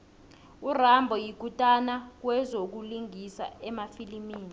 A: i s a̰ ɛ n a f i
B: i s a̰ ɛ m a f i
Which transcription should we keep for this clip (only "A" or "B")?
B